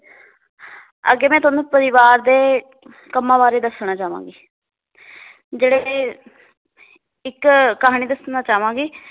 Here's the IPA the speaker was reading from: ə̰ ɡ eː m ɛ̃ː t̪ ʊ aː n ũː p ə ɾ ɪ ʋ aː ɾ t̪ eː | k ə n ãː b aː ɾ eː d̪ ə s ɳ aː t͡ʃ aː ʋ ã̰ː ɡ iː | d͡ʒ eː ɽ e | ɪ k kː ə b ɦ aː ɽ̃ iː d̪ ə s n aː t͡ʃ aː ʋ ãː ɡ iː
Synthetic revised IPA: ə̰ ɡ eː m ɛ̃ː t̪ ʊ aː n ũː p ə ɾ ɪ ʋ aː ɾ d̪ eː | k ə m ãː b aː ɾ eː d̪ ə s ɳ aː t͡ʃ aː ʋ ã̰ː ɡ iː | d͡ʒ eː ɽ e | ɪ k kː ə ɦ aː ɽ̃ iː d̪ ə s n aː t͡ʃ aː ʋ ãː ɡ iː